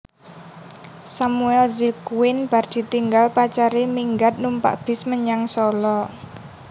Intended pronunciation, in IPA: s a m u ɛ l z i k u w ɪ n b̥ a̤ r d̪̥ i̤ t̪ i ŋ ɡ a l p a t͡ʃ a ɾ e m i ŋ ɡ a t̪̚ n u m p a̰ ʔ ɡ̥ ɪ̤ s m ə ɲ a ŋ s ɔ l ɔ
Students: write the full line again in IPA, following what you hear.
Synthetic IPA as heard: s a m u ɛ l z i k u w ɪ n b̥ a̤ r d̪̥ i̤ t̪ i ŋ ɡ a l p a t͡ʃ a ɾ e m i ŋ ɡ a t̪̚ n u m p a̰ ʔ b̥ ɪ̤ s m ə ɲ a ŋ s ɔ l ɔ